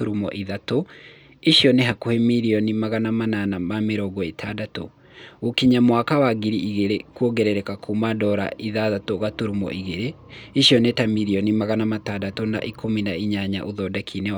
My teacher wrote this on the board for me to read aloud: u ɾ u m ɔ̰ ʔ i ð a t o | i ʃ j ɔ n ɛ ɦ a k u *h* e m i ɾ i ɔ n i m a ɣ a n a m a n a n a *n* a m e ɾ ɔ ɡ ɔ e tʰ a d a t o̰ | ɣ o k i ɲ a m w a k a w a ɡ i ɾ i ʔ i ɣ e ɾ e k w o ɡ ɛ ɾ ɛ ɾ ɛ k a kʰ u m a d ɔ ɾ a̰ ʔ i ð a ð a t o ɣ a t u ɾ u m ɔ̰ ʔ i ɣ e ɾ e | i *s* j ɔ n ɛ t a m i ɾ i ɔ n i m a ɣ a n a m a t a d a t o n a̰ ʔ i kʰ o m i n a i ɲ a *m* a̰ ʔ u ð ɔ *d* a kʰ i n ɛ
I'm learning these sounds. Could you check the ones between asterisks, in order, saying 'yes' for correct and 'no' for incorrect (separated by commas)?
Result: yes, no, no, no, yes